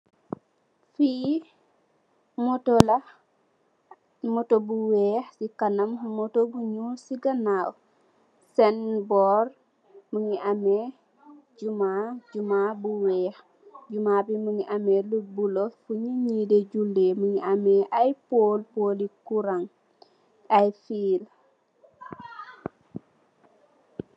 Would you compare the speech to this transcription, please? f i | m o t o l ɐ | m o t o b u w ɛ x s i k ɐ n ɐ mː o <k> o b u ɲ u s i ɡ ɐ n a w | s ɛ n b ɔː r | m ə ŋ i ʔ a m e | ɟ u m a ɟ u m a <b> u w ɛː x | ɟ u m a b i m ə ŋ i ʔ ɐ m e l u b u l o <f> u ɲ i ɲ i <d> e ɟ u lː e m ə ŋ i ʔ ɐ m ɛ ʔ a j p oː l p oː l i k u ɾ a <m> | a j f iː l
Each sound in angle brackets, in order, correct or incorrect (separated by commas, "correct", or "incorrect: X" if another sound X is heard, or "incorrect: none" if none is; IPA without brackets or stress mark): incorrect: t, correct, correct, correct, incorrect: ŋ